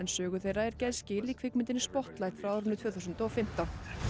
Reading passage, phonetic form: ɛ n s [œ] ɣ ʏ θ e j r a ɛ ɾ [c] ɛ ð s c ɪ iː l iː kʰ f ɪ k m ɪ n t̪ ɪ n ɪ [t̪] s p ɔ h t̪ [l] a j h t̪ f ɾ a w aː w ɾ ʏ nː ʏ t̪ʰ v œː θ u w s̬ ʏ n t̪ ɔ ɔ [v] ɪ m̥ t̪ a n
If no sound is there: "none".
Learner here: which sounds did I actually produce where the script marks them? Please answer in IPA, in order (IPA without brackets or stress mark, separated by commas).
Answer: œː, c, none, l, f